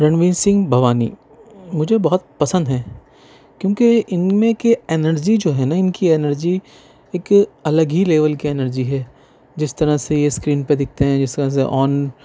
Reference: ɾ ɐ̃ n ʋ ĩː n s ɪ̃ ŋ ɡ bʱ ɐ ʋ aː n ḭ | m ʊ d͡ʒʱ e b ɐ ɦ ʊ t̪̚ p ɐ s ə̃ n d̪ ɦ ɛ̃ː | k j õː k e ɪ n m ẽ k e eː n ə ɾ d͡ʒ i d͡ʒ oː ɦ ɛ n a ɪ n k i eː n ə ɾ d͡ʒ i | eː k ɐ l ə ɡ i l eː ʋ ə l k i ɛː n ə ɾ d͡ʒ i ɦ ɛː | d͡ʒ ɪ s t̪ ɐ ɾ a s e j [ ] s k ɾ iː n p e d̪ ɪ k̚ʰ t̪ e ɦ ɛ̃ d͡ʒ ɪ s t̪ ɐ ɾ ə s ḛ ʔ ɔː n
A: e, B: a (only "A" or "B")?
A